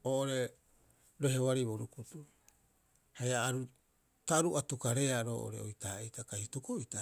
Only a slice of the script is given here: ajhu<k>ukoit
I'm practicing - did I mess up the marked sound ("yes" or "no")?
yes